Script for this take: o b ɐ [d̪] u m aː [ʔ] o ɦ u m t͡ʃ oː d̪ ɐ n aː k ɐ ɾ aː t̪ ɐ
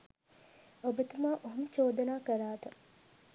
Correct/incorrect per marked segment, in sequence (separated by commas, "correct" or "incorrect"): incorrect, correct